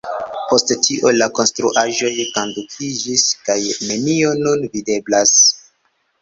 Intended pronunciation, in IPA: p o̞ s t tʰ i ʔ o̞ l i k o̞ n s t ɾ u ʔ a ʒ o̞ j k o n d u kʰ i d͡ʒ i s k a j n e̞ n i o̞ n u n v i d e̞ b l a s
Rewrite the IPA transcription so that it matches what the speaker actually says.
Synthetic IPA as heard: p o̞ s t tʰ i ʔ o̞ l a k o̞ n s t ɾ u ʔ a ʒ o̞ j k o n d u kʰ i d͡ʒ i s k a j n e̞ n i o̞ n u n v i d e̞ b l a s